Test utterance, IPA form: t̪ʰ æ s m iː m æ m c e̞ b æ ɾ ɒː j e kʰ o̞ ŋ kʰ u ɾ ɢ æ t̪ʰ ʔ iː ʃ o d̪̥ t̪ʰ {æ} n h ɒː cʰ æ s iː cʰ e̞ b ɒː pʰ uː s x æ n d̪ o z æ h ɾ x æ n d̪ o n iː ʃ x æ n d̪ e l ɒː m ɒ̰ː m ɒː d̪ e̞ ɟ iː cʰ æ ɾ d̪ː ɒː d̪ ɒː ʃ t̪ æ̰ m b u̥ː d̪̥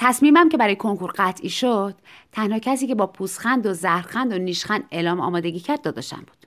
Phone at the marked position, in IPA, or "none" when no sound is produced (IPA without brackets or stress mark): æ